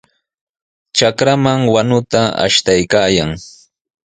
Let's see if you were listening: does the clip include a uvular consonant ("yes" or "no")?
no